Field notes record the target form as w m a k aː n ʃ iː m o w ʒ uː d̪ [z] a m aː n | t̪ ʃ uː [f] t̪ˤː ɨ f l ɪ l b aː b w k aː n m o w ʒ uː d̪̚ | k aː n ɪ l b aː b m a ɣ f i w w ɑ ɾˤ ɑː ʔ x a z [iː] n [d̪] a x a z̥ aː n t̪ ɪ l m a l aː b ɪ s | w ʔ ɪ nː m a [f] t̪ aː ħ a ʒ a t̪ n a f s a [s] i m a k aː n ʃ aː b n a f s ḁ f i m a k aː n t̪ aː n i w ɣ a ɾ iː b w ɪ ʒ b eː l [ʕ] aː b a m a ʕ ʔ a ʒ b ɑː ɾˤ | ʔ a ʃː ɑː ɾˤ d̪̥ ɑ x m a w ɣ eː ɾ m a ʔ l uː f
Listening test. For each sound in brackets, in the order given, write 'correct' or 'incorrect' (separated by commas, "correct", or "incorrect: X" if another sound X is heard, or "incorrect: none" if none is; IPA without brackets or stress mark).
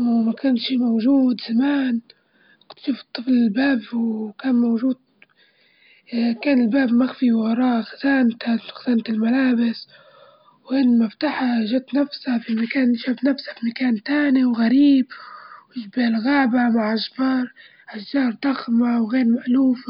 correct, correct, incorrect: aː, incorrect: t̪, correct, incorrect: f, incorrect: ɣ